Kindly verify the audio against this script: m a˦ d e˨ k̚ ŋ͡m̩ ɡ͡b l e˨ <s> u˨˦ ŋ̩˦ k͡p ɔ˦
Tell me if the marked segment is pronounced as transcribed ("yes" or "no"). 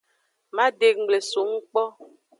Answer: yes